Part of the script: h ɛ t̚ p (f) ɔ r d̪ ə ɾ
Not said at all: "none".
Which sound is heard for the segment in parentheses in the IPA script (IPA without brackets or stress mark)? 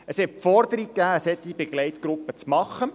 f